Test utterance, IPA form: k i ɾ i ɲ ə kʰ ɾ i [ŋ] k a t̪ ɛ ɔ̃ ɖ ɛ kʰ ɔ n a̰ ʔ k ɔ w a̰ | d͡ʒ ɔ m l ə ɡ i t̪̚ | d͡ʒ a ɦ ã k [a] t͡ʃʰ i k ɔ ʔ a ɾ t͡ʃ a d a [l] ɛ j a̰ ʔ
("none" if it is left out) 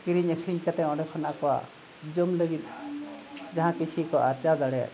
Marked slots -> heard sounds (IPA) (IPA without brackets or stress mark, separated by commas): ɲ, i, ɽ